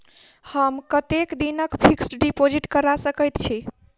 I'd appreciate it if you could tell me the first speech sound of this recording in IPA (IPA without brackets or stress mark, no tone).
h